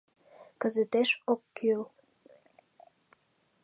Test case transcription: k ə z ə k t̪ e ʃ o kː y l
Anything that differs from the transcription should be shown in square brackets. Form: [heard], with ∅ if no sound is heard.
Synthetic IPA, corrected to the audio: k ə z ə [∅] t̪ e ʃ o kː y l